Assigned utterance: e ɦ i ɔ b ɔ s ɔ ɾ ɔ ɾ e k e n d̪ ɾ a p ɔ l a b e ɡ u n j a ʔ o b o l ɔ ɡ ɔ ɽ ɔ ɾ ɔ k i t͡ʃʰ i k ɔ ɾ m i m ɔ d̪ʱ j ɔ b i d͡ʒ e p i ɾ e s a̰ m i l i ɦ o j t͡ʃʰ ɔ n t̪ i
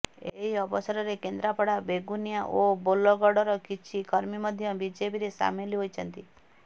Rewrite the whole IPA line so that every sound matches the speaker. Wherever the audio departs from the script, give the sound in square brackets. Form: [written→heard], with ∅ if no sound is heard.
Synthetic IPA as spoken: e ɦ i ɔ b ɔ s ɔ ɾ ɔ ɾ e k e n d̪ ɾ a p ɔ [l→ɽ] a b e ɡ u n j a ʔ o b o l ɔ ɡ ɔ ɽ ɔ ɾ ɔ k i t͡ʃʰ i k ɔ ɾ m i m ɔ d̪ʱ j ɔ b i d͡ʒ e p i ɾ e s a̰ m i l i ɦ o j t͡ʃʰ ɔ n t̪ i